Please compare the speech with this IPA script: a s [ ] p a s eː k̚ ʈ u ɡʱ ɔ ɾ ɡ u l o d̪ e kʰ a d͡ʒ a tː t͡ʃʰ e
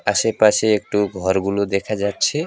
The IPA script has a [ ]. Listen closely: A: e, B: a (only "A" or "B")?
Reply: A